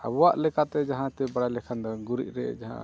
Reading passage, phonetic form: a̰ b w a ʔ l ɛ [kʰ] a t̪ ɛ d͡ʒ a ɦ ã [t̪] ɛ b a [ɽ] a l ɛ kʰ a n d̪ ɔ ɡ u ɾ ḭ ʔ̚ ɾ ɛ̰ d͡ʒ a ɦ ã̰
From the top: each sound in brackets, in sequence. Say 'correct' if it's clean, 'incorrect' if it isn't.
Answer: incorrect, correct, correct

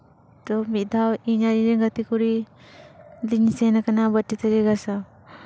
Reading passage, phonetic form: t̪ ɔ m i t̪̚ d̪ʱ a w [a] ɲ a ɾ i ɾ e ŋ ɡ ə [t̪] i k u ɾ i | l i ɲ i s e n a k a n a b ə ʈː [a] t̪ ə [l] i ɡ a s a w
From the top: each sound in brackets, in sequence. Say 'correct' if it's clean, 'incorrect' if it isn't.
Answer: incorrect, correct, incorrect, incorrect

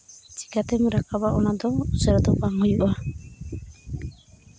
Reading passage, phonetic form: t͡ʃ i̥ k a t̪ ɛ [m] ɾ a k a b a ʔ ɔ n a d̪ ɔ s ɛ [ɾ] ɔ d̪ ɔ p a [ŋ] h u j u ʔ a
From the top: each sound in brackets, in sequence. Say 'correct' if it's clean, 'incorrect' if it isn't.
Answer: correct, correct, correct

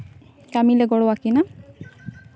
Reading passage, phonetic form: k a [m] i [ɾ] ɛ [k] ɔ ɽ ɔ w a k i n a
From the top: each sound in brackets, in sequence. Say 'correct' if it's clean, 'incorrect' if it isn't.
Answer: correct, incorrect, incorrect

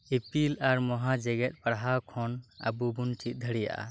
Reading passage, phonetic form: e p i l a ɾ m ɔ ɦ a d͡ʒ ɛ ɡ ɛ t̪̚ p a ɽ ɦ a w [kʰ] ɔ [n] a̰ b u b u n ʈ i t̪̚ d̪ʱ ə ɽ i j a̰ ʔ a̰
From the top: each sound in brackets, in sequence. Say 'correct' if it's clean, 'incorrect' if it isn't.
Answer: correct, correct

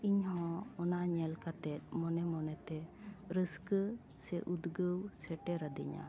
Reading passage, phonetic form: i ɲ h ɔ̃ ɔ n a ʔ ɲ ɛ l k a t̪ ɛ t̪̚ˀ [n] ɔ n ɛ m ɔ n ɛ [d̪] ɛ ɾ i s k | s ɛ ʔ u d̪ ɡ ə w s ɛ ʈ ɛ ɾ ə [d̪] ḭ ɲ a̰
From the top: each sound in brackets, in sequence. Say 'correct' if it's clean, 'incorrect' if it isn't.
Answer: incorrect, incorrect, correct

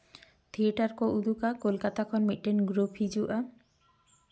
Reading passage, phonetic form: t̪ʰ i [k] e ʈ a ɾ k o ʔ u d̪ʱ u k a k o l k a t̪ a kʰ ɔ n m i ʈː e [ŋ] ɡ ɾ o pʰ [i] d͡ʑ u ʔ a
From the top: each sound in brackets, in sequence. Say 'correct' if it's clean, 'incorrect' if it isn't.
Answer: incorrect, incorrect, correct

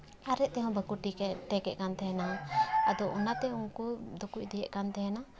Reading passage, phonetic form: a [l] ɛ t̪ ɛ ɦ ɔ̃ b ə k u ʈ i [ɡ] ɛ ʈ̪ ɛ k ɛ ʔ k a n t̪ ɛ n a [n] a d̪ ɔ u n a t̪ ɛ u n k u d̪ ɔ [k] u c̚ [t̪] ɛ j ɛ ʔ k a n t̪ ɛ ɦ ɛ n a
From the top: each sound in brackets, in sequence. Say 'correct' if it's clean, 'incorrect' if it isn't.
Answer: incorrect, incorrect, incorrect, correct, incorrect

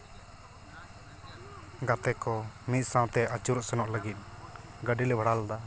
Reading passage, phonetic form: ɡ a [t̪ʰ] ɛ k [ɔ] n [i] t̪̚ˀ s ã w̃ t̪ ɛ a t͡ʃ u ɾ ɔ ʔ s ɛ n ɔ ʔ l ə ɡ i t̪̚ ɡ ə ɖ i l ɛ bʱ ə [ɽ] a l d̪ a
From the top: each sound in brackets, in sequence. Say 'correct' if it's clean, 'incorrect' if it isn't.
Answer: incorrect, correct, correct, correct

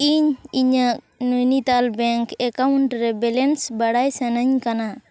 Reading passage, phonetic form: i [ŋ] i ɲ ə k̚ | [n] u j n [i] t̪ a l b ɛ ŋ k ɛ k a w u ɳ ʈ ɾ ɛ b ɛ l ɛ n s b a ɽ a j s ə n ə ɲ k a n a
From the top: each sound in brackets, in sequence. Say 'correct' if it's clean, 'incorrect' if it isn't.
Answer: incorrect, correct, correct

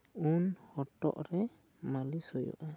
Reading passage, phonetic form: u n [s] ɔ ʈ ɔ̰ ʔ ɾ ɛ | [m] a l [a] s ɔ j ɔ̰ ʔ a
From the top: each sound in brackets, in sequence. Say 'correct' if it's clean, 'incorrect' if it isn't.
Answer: incorrect, correct, incorrect

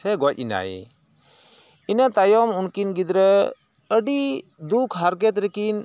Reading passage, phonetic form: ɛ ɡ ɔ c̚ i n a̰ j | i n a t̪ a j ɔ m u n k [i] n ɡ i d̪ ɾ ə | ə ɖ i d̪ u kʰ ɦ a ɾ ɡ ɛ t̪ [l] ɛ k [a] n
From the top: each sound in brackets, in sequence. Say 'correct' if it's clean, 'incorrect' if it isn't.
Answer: correct, incorrect, incorrect

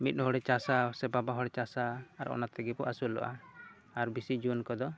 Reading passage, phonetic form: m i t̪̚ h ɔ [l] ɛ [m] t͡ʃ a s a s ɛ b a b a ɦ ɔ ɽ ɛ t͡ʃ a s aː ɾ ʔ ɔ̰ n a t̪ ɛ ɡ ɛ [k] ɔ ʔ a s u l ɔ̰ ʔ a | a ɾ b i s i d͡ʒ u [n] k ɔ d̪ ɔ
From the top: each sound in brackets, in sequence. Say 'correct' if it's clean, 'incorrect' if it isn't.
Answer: incorrect, incorrect, incorrect, correct

